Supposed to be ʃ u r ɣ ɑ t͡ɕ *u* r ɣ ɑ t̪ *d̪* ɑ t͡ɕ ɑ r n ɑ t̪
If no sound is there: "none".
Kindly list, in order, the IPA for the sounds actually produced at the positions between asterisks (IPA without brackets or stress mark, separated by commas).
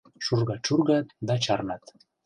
u, d̪